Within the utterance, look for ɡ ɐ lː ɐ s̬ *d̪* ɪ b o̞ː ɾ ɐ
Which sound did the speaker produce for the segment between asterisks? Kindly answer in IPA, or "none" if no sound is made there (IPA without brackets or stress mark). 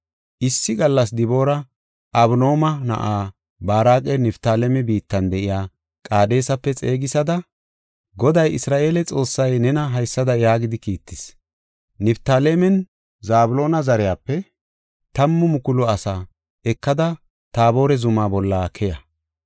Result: d̪